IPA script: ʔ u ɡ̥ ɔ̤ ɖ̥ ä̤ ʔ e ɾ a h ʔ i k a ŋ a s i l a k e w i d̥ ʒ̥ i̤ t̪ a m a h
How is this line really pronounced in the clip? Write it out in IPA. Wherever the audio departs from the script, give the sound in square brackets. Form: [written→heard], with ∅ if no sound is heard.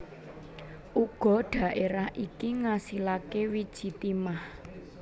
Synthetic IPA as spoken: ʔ u ɡ̥ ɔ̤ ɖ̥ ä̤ ʔ e ɾ a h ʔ i k [a→i] ŋ a s i l a k e w i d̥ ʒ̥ i̤ t̪ [a→i] m a h

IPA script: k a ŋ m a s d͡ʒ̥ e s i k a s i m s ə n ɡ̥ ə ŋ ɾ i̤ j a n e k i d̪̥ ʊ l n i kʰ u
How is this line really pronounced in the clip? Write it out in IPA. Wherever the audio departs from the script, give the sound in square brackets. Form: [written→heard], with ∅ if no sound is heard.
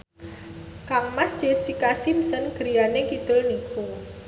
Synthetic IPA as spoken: k a ŋ m a s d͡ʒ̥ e s i k a s i m s ə n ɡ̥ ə [ŋ→∅] ɾ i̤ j a n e k i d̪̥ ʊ l n i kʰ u

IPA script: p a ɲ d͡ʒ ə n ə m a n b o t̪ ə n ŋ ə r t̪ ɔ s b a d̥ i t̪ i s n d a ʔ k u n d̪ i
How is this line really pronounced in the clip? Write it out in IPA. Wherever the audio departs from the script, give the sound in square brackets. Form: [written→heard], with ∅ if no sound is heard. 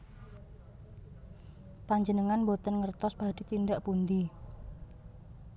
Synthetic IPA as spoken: p a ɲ d͡ʒ ə n ə [m→ŋ] a n b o t̪ ə n ŋ ə r t̪ ɔ s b a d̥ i t̪ i [s→∅] n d a ʔ [k→p] u n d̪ i

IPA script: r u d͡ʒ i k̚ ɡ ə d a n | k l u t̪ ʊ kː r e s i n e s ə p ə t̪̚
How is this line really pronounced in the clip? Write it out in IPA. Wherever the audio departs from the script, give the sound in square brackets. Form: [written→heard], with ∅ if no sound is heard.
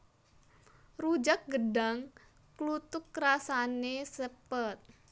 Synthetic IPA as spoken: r u d͡ʒ [i→a] k̚ ɡ ə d a [n→ŋ] | k l u t̪ ʊ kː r [e→a] s [i→a] n e s ə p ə t̪̚

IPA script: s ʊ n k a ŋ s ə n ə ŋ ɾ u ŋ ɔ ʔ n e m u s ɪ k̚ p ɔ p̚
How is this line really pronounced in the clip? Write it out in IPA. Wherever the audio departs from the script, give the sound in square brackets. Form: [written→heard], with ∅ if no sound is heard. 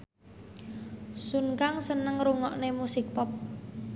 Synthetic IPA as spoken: s [ʊ→u] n k a ŋ s ə n ə ŋ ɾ u ŋ ɔ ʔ n e m u s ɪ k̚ p ɔ p̚

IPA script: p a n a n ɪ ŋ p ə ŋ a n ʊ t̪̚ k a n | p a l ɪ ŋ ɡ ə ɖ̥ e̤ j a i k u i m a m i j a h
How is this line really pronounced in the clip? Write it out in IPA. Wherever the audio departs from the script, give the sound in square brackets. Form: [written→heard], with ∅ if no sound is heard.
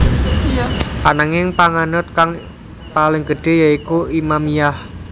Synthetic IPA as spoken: p a n a [n→ŋ] ɪ ŋ p [ə→a] ŋ a n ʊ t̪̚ k a [n→ŋ] | p a l ɪ ŋ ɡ ə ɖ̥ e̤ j a i k u i m a m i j a h

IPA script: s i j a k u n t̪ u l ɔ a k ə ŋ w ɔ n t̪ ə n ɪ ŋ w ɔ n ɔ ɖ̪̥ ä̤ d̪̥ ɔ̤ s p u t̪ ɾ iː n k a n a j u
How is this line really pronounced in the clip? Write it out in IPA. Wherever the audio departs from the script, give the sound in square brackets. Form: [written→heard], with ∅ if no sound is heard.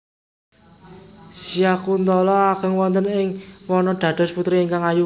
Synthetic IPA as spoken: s i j a k u n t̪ [u→ɔ] l ɔ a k ə ŋ w ɔ n t̪ ə n ɪ ŋ w ɔ n ɔ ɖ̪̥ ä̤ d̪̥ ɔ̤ s p u t̪ ɾ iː [n→ŋ] k a [n→ŋ] a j u

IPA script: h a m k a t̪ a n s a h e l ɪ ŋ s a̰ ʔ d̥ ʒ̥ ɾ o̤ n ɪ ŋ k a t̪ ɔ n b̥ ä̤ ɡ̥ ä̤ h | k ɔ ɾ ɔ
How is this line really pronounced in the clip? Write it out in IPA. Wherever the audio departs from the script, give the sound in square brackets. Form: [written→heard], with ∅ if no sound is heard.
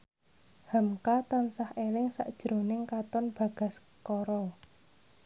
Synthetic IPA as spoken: h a m k a t̪ a n s a h e l ɪ ŋ s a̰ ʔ d̥ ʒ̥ ɾ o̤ n ɪ ŋ k a t̪ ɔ n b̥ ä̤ ɡ̥ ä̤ [h→s] | k ɔ ɾ ɔ

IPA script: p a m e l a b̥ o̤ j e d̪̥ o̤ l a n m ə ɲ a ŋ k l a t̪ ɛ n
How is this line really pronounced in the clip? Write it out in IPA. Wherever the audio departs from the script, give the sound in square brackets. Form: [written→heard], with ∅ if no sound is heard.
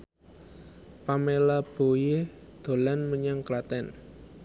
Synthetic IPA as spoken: p a m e l a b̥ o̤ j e d̪̥ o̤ l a n m ə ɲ a ŋ k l a t̪ ɛ n

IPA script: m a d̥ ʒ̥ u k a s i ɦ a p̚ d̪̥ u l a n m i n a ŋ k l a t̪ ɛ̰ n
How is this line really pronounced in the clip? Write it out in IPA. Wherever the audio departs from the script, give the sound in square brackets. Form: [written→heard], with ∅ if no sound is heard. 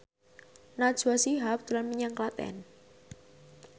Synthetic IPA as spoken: [m→n] a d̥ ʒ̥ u [k→∅] a s i ɦ a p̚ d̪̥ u l a n m i [n→ɲ] a ŋ k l a t̪ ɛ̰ n

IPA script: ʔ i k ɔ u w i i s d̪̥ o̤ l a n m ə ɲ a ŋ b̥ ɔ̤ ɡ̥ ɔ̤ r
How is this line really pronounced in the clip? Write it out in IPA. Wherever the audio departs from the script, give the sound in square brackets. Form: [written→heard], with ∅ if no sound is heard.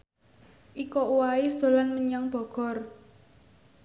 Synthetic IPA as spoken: ʔ i k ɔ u w [i→a] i s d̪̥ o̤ l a n m ə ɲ a ŋ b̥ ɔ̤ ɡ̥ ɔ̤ r

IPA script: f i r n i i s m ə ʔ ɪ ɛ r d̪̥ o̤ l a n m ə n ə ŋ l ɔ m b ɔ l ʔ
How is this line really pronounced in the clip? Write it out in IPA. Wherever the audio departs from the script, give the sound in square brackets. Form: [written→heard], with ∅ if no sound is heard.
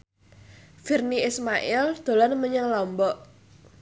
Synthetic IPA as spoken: f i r n i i s m [ə→a] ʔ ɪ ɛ [r→l] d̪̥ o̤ l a n m ə [n→ɲ] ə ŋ l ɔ m b ɔ [l→∅] ʔ

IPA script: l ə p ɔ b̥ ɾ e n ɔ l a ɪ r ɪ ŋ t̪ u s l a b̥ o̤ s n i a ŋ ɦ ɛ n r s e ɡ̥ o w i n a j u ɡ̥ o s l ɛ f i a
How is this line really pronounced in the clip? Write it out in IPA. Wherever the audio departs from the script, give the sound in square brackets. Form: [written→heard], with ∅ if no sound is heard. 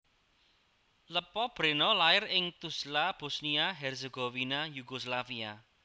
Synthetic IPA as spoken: l ə p ɔ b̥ ɾ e n ɔ l a ɪ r ɪ ŋ t̪ u s l a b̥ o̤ s n i a [ŋ→∅] ɦ ɛ [n→∅] r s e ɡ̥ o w i n a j u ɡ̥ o s l [ɛ→a] f i a

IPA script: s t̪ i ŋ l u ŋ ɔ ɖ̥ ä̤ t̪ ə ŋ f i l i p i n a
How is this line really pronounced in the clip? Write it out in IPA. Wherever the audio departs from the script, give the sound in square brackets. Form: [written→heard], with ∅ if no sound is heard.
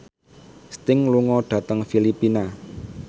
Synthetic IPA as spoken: s t̪ [i→ɪ] ŋ l u ŋ ɔ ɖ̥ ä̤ t̪ ə ŋ f i l i p i n a

